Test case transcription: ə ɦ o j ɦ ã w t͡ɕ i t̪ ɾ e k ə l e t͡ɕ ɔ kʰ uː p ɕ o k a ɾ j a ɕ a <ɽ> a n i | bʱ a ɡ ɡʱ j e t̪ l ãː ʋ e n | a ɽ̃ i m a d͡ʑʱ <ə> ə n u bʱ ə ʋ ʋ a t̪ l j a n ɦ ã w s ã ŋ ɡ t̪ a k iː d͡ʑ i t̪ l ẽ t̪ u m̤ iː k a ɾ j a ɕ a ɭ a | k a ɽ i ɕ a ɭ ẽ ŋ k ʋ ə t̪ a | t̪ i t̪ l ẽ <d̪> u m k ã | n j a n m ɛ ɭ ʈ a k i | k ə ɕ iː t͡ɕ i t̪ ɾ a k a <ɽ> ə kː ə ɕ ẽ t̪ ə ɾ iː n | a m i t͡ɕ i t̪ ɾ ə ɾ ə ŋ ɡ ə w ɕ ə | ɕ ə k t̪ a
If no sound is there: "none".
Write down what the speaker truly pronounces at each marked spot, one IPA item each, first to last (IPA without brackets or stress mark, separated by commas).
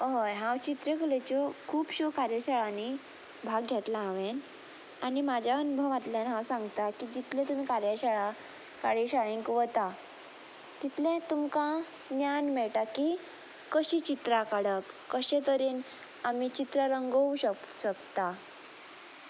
ɭ, a, t̪, ɽ